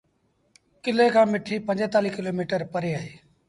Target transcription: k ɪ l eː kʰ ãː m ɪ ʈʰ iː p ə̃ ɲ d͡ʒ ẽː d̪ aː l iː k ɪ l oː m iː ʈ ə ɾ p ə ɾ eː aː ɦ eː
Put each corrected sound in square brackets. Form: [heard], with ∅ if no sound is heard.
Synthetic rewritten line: k ɪ l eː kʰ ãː m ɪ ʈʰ iː p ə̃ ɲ d͡ʒ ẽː [t̪] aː l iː k ɪ l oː m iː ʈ ə ɾ p ə ɾ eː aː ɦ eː